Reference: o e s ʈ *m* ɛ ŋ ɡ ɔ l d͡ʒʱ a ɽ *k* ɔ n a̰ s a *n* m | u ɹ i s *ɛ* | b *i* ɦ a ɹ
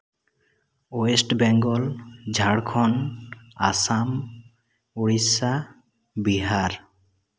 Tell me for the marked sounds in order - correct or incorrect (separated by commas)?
incorrect, incorrect, incorrect, incorrect, correct